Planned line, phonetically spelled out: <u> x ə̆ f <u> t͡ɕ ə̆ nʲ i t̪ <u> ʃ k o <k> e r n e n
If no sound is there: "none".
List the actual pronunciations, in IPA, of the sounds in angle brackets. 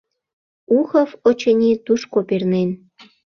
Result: u, o, u, p

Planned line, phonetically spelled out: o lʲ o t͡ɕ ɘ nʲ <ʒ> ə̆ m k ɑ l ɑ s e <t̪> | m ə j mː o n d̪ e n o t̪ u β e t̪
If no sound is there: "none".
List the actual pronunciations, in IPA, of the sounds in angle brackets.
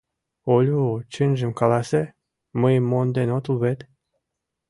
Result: ʒ, none

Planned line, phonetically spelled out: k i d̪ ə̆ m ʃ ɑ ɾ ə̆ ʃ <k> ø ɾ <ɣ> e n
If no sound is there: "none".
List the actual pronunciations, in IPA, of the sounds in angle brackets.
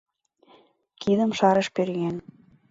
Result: p, ɣ

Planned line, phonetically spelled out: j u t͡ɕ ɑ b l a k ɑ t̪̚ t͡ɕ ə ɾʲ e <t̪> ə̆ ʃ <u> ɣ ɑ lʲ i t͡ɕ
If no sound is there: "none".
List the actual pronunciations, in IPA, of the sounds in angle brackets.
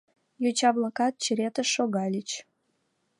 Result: t̪, o

